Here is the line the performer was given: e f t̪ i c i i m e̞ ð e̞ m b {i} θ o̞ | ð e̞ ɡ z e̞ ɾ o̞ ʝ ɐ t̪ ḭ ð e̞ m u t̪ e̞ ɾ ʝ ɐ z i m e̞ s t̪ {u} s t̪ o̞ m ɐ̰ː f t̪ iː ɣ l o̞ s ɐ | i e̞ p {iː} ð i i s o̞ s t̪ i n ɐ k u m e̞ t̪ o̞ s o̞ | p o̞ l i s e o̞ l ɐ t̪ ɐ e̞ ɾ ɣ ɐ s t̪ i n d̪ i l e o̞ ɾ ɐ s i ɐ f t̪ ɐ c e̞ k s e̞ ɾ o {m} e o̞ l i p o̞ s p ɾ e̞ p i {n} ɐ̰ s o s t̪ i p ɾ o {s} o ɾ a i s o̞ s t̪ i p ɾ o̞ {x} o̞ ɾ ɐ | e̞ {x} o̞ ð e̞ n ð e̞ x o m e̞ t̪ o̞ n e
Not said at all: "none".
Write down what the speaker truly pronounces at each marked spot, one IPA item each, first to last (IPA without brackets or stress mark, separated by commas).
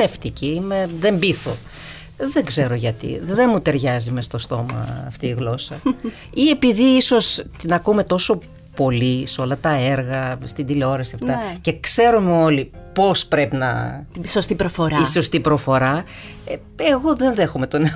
i, o, i, m, n, f, f, ɣ